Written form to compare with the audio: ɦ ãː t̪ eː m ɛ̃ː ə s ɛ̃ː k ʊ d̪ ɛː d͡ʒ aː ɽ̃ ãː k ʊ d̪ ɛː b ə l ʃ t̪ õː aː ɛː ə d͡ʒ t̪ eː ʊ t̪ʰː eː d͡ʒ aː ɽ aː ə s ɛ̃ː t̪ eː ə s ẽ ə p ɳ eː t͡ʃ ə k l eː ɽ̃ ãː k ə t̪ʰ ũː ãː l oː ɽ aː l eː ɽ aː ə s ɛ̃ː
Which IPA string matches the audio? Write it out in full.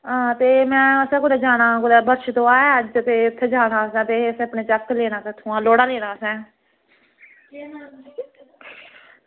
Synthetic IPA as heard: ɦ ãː t̪ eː m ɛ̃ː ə s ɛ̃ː k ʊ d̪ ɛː d͡ʒ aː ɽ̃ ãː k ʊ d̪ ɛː b ə ɾ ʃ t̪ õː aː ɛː ə d͡ʒ t̪ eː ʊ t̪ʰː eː d͡ʒ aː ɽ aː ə s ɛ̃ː t̪ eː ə s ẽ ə p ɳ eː t͡ʃ ə k l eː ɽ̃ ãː k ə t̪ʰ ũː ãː l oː ɽ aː l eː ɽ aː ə s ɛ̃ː